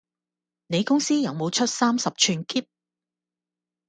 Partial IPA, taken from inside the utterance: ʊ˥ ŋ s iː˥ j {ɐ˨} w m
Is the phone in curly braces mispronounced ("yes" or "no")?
no